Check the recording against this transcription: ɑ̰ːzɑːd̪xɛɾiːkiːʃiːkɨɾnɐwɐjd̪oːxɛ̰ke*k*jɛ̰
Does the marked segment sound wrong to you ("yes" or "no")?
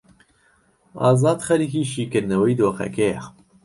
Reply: yes